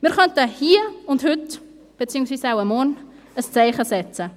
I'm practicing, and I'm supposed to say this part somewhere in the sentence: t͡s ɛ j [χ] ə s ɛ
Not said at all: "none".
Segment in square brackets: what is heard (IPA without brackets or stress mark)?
χ